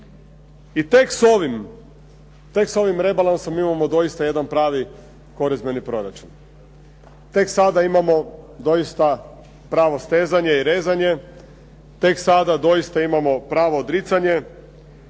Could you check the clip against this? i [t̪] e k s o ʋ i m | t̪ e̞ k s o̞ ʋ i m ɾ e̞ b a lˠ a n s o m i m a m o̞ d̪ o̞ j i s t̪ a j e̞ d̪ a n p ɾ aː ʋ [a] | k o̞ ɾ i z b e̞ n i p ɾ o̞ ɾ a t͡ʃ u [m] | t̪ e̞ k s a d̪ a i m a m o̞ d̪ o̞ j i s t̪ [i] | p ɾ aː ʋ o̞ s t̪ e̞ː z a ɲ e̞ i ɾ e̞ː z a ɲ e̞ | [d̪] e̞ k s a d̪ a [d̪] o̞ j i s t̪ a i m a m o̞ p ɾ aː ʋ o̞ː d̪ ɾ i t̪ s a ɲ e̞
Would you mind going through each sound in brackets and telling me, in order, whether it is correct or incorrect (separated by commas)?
correct, incorrect, incorrect, incorrect, incorrect, correct